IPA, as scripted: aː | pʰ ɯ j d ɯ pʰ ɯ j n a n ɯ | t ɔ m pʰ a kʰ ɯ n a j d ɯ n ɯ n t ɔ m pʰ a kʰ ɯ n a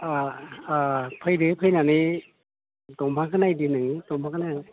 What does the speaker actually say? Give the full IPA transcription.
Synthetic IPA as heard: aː | pʰ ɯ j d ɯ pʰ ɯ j n a n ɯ | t ɔ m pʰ a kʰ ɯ n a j d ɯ n ɯ ŋ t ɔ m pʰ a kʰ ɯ n a